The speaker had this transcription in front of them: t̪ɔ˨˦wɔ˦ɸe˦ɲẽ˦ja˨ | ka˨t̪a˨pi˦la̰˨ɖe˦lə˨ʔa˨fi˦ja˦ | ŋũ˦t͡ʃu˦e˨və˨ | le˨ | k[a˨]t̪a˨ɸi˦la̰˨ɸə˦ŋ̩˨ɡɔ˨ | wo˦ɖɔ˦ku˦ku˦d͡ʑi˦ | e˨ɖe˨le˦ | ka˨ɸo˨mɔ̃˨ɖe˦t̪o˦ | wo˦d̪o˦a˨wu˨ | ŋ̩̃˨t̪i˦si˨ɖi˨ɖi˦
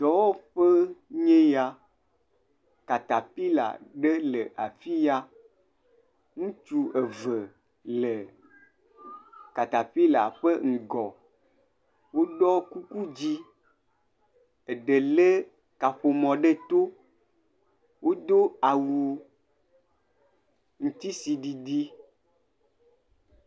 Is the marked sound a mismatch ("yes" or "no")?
no